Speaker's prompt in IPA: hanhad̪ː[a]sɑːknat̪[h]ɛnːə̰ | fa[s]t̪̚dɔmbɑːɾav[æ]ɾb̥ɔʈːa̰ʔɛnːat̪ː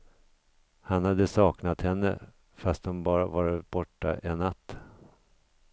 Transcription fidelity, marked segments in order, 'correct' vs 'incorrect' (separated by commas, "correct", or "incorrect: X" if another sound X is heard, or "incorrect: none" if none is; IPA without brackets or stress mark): incorrect: ə, correct, correct, incorrect: a